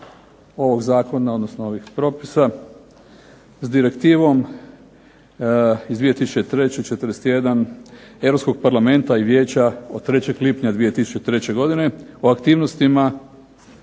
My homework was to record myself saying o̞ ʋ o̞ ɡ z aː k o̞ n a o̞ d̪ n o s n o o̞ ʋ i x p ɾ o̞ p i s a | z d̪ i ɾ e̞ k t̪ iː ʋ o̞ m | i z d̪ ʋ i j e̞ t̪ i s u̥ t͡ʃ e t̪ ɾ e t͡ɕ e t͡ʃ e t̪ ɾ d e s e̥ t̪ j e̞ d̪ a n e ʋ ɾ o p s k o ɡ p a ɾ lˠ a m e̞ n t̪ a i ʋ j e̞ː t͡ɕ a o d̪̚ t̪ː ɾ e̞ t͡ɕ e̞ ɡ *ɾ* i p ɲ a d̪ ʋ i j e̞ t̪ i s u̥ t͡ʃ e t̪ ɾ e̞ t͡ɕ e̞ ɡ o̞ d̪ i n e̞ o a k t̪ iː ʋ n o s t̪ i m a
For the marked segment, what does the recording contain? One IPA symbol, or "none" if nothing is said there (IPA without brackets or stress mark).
l